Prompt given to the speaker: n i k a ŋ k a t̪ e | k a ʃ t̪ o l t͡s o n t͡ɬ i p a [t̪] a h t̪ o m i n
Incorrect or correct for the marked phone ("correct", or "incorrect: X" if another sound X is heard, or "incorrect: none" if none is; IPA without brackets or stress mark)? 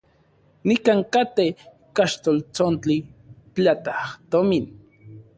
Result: correct